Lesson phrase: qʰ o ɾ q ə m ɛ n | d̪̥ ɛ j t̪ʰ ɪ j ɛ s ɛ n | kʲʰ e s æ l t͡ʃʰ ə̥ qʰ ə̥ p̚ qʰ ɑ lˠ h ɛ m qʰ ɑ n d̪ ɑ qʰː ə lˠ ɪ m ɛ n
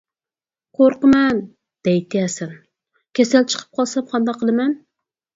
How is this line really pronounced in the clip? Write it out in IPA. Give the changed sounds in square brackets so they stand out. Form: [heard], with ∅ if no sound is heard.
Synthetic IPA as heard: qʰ o ɾ q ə m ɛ n | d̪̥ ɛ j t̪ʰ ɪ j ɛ s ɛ n | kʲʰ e s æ l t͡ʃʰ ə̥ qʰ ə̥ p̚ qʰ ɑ lˠ [s] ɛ m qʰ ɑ n d̪ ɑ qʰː ə lˠ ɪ m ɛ n